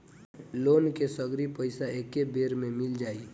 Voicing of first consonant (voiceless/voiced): voiced